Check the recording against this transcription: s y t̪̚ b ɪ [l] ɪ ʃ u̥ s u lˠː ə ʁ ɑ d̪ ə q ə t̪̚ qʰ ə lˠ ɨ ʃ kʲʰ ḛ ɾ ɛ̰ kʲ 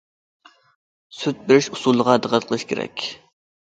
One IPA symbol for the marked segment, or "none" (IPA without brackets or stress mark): ɾ